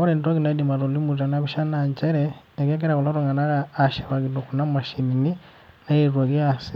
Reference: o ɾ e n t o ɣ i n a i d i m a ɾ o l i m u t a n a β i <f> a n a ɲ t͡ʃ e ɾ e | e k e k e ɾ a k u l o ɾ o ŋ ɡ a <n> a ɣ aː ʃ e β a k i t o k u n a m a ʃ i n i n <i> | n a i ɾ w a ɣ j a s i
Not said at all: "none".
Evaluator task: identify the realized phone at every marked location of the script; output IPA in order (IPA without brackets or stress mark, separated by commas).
ʃ, n, i